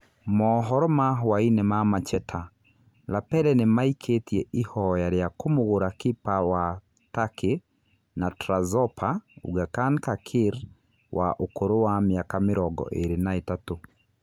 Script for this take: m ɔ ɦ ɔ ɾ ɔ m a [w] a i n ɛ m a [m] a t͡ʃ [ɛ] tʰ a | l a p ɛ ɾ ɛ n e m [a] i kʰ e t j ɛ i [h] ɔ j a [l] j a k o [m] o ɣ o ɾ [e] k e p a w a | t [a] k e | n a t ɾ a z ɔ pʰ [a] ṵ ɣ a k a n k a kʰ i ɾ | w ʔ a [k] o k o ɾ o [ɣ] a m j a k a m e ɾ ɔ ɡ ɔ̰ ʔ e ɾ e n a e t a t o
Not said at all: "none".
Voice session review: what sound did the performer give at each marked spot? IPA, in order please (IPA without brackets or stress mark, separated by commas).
w, m, ɛ, a, h, ɾ, m, a, a, a, ʔ, w